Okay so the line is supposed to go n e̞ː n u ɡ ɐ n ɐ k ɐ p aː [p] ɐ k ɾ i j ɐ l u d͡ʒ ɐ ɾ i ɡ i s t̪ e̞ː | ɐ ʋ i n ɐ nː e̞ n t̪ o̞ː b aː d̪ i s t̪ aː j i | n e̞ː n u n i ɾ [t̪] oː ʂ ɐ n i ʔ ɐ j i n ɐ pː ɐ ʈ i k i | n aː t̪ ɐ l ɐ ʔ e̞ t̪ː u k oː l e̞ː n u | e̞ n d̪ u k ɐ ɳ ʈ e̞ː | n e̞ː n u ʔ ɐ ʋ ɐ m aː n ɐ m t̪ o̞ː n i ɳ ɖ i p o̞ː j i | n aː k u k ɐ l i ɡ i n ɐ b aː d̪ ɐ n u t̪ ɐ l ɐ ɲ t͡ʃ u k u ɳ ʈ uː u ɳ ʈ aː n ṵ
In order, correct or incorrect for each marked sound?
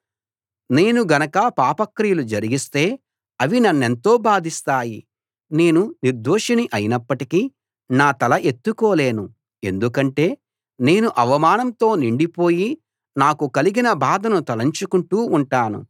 correct, incorrect: d̪

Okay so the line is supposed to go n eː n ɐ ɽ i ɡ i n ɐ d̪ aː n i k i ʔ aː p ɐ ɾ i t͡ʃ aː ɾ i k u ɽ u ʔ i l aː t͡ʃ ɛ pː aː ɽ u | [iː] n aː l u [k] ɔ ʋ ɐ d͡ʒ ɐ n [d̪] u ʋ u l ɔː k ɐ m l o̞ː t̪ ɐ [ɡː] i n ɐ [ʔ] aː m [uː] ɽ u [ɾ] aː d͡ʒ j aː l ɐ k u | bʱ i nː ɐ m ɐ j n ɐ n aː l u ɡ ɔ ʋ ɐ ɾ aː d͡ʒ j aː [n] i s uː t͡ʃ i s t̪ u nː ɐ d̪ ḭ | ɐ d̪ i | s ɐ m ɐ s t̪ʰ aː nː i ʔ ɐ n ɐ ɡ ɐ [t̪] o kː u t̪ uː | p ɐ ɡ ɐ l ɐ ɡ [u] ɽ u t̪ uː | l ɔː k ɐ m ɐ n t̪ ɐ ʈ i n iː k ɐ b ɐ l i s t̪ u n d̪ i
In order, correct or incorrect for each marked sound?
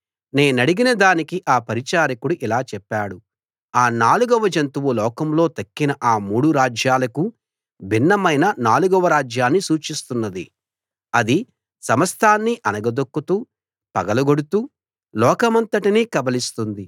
incorrect: aː, incorrect: ɡ, incorrect: t̪, incorrect: kː, correct, correct, correct, incorrect: nː, incorrect: d̪, incorrect: o

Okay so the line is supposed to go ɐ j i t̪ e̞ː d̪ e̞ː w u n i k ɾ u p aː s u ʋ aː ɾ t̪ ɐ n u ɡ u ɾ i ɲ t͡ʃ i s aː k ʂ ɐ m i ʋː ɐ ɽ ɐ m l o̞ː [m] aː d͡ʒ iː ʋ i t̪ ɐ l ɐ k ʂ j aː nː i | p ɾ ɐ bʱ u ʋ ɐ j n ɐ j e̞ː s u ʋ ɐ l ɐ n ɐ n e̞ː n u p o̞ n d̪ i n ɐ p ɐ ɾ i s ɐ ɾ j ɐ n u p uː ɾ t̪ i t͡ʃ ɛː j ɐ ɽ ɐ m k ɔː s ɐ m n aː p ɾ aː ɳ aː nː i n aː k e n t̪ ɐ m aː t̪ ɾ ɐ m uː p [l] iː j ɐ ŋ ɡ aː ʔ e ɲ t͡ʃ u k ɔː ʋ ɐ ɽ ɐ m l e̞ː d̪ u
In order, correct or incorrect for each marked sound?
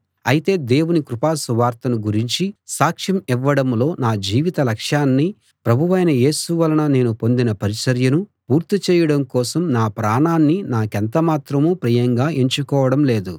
incorrect: n, incorrect: ɾ

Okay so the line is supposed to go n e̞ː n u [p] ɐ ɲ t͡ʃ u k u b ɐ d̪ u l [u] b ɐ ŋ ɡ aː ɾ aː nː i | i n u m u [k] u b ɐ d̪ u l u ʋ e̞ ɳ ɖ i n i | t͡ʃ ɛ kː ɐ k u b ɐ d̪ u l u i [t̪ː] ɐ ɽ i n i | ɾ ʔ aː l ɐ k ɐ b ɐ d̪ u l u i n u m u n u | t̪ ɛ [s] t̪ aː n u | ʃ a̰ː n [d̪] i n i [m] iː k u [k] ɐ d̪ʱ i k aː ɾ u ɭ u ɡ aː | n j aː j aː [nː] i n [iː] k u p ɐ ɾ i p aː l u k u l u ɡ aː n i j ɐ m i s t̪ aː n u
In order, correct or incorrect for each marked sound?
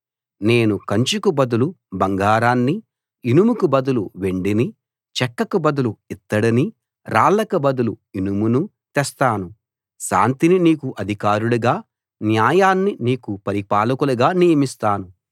incorrect: k, correct, correct, correct, correct, incorrect: t̪, incorrect: n, incorrect: ʔ, correct, correct

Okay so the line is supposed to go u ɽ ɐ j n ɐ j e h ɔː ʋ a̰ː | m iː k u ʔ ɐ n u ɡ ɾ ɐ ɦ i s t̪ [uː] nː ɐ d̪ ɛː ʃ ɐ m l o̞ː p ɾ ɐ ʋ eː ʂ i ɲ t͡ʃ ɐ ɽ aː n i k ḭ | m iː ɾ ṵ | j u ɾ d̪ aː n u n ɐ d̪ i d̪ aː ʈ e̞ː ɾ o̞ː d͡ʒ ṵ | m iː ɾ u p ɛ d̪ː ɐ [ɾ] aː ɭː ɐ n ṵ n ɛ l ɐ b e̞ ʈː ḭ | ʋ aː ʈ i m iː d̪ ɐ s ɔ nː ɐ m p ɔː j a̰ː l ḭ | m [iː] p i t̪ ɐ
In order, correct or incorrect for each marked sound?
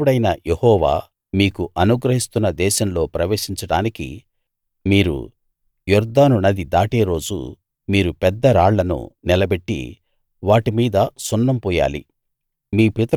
incorrect: u, correct, correct

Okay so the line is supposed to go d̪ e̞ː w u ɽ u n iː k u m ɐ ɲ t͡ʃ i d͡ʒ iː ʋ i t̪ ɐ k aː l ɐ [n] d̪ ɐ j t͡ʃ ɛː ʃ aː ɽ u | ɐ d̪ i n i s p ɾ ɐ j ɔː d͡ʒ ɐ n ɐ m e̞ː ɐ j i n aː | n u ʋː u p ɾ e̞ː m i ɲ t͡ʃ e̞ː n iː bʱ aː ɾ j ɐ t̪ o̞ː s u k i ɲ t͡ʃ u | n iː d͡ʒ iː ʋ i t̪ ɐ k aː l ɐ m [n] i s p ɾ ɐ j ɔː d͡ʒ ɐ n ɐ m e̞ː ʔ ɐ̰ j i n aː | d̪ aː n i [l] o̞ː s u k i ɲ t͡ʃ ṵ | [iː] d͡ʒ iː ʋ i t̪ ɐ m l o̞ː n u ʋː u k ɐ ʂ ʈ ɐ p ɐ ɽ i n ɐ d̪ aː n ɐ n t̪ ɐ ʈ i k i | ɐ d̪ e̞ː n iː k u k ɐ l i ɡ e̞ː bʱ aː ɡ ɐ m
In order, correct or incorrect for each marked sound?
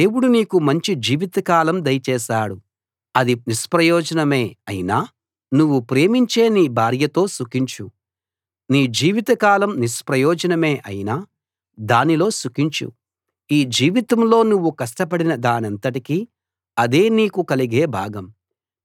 incorrect: m, correct, correct, correct

